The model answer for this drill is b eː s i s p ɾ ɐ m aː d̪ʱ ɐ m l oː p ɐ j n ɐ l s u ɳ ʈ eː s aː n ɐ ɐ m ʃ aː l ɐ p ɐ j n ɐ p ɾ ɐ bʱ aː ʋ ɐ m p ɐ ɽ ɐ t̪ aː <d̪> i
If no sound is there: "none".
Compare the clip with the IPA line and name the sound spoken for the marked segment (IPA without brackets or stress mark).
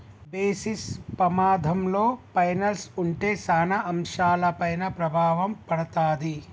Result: d̪